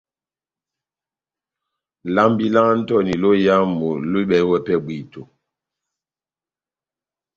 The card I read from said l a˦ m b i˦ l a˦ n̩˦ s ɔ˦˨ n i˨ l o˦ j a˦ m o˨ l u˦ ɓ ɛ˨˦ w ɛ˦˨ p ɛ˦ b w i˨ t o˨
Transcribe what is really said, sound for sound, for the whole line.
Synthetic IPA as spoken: l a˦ m b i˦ l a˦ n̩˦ t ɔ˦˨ n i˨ l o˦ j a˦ m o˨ l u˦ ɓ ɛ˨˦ w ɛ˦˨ p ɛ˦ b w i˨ t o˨

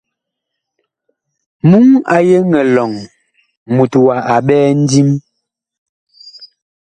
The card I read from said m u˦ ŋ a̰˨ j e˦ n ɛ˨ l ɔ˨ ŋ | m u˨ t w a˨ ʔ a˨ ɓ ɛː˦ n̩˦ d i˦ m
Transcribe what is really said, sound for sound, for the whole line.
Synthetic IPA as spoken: m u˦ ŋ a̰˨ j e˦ ŋ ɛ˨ l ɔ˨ ŋ | m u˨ t w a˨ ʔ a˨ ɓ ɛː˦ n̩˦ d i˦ m

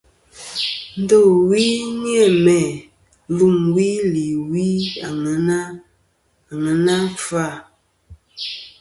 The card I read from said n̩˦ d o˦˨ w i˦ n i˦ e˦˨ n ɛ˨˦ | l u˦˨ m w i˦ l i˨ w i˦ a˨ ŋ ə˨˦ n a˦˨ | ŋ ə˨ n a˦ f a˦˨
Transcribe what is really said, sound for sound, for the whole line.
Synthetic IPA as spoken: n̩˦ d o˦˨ w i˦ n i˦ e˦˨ m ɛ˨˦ | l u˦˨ m w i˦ l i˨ w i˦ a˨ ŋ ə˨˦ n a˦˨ | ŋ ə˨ n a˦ f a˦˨

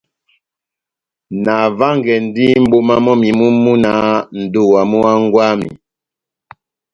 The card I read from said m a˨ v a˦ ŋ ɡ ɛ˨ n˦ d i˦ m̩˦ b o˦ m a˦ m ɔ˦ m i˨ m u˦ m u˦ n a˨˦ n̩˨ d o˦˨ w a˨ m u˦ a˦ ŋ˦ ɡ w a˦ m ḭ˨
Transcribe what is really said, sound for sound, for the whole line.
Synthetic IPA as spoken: n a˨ v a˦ ŋ ɡ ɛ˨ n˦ d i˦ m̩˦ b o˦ m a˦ m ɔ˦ m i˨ m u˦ m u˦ n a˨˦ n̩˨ d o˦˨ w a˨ m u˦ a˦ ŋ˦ ɡ w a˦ m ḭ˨

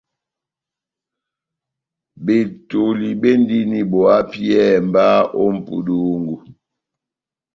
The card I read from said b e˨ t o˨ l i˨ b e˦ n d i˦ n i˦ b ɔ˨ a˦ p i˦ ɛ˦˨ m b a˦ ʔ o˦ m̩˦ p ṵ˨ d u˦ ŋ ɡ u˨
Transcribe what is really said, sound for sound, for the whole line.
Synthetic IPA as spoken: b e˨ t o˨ l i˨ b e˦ n d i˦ n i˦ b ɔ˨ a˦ p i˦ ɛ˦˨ m b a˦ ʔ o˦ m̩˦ p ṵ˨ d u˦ ŋ ɡ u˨

